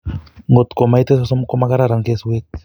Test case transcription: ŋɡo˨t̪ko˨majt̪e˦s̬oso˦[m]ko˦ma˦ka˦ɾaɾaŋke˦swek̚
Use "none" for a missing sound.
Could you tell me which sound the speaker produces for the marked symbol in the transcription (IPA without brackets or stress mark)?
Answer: m